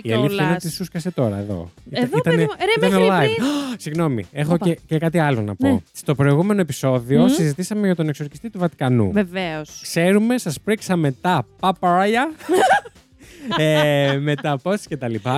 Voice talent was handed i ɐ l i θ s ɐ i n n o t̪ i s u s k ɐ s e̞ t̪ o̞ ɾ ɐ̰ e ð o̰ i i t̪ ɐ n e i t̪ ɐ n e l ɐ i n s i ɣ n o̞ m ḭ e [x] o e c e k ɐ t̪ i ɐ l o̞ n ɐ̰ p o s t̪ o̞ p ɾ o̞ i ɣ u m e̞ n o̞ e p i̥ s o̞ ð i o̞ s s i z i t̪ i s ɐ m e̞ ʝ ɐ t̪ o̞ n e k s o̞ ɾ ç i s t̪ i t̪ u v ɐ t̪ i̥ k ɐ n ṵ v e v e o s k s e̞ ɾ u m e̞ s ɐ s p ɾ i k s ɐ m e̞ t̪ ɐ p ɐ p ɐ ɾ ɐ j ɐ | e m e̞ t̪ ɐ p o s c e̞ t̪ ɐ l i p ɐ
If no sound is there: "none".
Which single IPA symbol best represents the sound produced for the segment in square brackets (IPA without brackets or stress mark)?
x